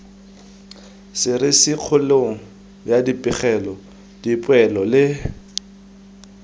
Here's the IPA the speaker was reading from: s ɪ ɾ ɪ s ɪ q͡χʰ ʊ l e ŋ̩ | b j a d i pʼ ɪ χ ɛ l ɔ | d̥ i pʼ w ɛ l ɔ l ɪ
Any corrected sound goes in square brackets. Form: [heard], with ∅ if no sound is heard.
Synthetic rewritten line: s ɪ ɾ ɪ s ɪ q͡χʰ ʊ l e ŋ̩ | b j a d i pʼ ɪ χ ɛ l ɔ | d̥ i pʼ w ɛ l ɔ l ɪ